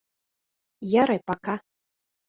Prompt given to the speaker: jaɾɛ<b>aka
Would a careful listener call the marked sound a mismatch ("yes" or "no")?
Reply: yes